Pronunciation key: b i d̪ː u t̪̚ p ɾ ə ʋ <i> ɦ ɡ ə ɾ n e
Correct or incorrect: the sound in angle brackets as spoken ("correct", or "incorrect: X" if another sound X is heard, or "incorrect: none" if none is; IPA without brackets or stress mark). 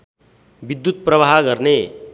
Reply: incorrect: a